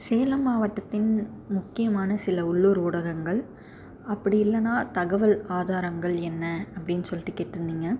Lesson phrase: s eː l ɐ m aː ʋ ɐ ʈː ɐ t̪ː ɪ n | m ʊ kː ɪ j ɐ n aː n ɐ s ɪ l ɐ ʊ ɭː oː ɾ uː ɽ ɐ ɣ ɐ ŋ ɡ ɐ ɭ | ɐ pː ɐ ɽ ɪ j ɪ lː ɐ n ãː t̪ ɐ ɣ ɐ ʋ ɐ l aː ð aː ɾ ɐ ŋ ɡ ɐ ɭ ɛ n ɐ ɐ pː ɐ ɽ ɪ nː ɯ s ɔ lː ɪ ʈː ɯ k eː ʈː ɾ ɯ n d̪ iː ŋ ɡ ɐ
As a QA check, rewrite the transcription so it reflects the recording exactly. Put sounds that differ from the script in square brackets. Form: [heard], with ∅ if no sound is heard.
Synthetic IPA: s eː l ɐ m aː ʋ ɐ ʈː ɐ t̪ː ɪ n | m ʊ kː ɪ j ɐ [m] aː n ɐ s ɪ l ɐ ʊ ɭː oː ɾ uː ɽ ɐ ɣ ɐ ŋ ɡ ɐ ɭ | ɐ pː ɐ ɽ ɪ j ɪ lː ɐ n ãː t̪ ɐ ɣ ɐ ʋ ɐ l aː ð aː ɾ ɐ ŋ ɡ ɐ ɭ ɛ [nː] ɐ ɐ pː ɐ ɽ ɪ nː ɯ s ɔ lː ɪ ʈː ɯ k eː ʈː ɾ ɯ n d̪ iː ŋ ɡ ɐ